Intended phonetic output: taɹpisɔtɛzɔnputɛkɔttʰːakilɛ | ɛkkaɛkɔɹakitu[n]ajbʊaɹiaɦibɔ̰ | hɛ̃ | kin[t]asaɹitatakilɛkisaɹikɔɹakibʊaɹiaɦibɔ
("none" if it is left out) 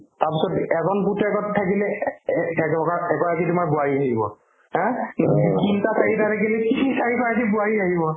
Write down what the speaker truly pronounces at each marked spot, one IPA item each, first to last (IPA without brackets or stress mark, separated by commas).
m, t